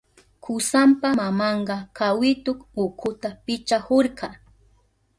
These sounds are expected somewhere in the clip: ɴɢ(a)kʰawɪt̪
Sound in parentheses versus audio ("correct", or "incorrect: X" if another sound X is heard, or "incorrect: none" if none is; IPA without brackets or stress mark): incorrect: ɑ